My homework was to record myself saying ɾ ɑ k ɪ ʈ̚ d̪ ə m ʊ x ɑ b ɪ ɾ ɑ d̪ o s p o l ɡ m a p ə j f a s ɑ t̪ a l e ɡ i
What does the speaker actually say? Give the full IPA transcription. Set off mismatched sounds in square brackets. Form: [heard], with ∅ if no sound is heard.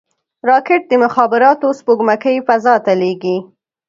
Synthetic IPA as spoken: ɾ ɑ k ɪ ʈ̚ d̪ ə m ʊ x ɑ b ɪ ɾ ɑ [t̪] o s p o [∅] ɡ m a [k] ə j f a [z] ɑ t̪ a l e ɡ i